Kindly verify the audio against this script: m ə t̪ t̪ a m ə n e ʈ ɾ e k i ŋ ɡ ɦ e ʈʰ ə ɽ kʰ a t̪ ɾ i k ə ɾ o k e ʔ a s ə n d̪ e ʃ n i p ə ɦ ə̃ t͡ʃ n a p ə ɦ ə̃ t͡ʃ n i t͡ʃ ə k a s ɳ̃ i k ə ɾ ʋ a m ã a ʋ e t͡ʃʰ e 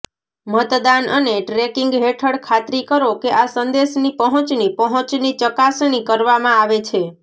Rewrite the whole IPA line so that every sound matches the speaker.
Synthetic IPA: m ə t̪ d̪ a n ə n e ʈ ɾ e k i ŋ ɡ ɦ e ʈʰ ə ɽ kʰ a t̪ ɾ i k ə ɾ o k e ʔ a s ə n d̪ e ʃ n i p ə ɦ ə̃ t͡ʃ n i p ə ɦ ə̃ t͡ʃ n i t͡ʃ ə k a s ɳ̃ i k ə ɾ ʋ a m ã a ʋ e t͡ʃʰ e

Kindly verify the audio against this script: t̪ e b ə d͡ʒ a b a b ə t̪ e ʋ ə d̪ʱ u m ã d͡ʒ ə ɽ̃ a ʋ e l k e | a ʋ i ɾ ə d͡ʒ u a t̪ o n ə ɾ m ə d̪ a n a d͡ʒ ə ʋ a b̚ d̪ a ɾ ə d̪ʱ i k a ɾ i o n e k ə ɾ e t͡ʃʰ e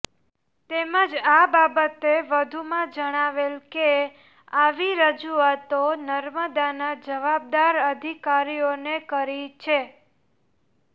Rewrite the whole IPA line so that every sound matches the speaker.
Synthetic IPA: t̪ e m ə d͡ʒ a b a b ə t̪ e ʋ ə d̪ʱ u m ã d͡ʒ ə ɽ̃ a ʋ e l k e | a ʋ i ɾ ə d͡ʒ u a t̪ o n ə ɾ m ə d̪ a n a d͡ʒ ə ʋ a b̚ d̪ a ɾ ə d̪ʱ i k a ɾ i o n e k ə ɾ i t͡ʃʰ e

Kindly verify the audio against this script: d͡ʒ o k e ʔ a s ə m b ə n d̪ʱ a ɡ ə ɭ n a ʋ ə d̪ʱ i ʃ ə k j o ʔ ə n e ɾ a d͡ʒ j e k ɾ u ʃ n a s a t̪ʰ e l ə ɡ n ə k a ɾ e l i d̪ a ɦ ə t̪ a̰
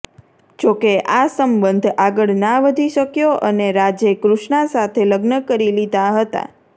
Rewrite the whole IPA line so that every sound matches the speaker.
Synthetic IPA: d͡ʒ o k e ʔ a s ə m b ə n d̪ʱ a ɡ ə ɭ n a ʋ ə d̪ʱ i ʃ ə k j o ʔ ə n e ɾ a d͡ʒ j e k ɾ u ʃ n a s a t̪ʰ e l ə ɡ n ə k ə ɾ i l i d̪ a ɦ ə t̪ a̰

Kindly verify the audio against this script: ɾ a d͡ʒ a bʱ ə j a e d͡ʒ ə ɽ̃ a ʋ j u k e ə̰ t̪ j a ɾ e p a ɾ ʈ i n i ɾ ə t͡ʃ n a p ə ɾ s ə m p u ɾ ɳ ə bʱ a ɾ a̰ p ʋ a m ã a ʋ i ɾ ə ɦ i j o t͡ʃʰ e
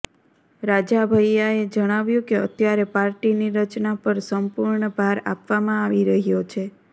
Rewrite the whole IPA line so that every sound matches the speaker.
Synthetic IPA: ɾ a d͡ʒ a bʱ ə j a e d͡ʒ ə ɽ̃ a ʋ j ũ k e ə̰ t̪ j a ɾ e p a ɾ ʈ i n i ɾ ə t͡ʃ n a p ə ɾ s ə m p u ɾ ɳ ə bʱ a ɾ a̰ p ʋ a m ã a ʋ i ɾ ə ɦ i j o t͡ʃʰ e

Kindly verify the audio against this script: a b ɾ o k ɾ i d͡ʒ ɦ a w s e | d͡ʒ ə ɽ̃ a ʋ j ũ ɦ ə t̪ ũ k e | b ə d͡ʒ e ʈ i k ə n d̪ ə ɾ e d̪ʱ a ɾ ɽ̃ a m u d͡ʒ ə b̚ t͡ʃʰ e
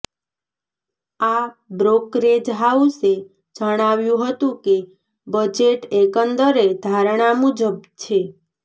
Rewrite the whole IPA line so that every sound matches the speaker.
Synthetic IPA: a b ɾ o k ɾ e d͡ʒ ɦ a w s e | d͡ʒ ə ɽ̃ a ʋ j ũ ɦ ə t̪ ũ k e | b ə d͡ʒ e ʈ e k ə n d̪ ə ɾ e d̪ʱ a ɾ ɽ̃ a m u d͡ʒ ə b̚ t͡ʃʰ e

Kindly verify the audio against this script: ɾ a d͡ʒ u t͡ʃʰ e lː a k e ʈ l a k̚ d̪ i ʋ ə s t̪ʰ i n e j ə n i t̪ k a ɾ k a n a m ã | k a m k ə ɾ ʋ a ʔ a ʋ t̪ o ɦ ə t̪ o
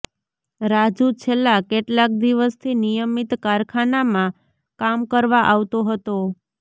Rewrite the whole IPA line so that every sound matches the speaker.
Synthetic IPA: ɾ a d͡ʒ u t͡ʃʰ e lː a k e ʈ l a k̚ d̪ i ʋ ə s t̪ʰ i n i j ə m i t̪ k a ɾ kʰ a n a m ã | k a m k ə ɾ ʋ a ʔ a ʋ t̪ o ɦ ə t̪ o

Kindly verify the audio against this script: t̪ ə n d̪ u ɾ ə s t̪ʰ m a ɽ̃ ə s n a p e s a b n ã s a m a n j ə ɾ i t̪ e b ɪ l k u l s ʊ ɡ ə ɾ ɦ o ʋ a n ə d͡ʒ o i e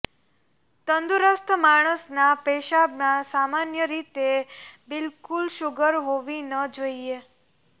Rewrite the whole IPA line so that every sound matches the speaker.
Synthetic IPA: t̪ ə n d̪ u ɾ ə s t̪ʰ m a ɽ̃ ə s n a p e ʃ a b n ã s a m a n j ə ɾ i t̪ e b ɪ l k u l ʃ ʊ ɡ ə ɾ ɦ o ʋ i n ə d͡ʒ o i e

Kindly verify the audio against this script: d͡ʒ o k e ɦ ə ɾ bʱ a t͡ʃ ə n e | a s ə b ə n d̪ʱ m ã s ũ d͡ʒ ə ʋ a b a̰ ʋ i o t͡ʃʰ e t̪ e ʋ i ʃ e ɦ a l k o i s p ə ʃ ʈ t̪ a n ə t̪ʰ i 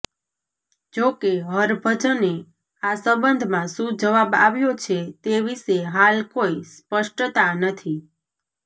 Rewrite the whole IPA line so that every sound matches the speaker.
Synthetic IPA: d͡ʒ o k e ɦ ə ɾ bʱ ə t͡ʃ ə n e | a s ə b ə n d̪ʱ m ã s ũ d͡ʒ ə ʋ a b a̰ ʋ j o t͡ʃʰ e t̪ e ʋ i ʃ e ɦ a l k o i s p ə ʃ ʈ t̪ a n ə t̪ʰ i

